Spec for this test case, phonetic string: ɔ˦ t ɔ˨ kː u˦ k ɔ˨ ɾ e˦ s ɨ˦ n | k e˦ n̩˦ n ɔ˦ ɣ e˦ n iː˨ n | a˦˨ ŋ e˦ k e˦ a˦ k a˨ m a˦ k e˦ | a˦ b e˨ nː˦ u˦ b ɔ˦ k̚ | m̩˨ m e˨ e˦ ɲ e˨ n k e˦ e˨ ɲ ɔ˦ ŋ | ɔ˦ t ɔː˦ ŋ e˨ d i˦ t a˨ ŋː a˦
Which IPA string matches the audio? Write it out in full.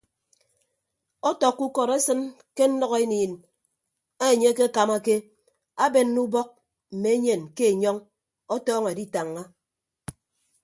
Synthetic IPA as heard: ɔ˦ t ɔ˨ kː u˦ k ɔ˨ ɾ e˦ s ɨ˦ n | k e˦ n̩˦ n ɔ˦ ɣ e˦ n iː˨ n | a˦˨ ɲ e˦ k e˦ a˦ k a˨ m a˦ k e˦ | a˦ b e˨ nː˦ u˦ b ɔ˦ k̚ | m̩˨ m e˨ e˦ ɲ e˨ n k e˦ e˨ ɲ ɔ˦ ŋ | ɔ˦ t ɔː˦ ŋ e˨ d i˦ t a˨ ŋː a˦